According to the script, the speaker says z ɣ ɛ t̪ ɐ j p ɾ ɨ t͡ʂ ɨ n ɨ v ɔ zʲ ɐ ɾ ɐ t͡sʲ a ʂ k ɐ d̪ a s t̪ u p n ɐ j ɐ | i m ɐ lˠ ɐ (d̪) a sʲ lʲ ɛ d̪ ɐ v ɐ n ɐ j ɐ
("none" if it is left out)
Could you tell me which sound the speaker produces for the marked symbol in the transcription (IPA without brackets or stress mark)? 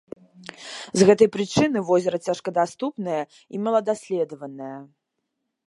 d̪